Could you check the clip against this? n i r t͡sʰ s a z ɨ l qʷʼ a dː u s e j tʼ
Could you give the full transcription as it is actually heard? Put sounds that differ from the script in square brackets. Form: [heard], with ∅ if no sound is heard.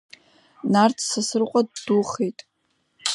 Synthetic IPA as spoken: n [a] r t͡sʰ s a [s] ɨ [r] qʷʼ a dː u [χ] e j tʼ